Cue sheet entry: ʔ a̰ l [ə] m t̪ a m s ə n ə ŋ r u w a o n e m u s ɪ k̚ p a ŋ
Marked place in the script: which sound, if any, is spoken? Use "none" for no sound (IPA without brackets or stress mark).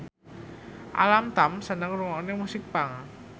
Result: a